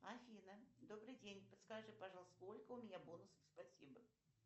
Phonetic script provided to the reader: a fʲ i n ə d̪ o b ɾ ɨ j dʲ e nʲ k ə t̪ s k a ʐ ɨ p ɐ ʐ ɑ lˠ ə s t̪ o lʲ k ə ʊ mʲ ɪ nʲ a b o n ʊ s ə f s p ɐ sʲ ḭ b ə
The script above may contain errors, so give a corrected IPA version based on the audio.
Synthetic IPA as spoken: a fʲ i n ə d̪ o b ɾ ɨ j dʲ e nʲ p ə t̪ s k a ʐ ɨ p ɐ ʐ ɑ lˠ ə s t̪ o lʲ k ə ʊ mʲ ɪ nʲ a b o n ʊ s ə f s p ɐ sʲ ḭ b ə